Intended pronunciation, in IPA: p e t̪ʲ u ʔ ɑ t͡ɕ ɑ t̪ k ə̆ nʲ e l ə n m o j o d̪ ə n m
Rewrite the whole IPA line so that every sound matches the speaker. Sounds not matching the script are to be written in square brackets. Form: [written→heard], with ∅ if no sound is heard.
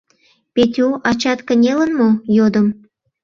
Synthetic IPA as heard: p e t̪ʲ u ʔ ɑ t͡ɕ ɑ t̪ k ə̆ nʲ e l ə n m o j o d̪ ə [n→∅] m